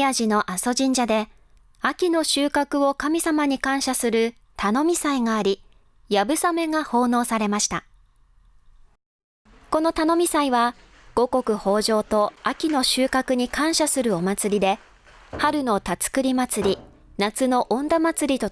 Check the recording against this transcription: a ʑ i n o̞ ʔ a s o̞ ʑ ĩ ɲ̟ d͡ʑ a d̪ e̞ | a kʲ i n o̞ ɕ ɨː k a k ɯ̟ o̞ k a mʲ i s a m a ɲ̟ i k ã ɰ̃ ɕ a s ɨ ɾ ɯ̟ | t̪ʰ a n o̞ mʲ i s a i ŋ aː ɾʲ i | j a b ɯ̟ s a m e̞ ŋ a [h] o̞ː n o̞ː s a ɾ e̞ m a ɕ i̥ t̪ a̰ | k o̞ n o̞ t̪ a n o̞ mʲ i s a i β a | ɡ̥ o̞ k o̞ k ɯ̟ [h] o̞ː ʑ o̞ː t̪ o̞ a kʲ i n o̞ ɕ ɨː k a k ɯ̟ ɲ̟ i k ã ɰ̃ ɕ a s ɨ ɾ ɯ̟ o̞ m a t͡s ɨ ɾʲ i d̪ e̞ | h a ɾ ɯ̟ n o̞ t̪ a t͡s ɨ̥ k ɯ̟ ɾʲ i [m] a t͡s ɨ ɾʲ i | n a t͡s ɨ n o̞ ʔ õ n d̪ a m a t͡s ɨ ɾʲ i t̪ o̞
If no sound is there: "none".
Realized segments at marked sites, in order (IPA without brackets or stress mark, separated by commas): h, h, m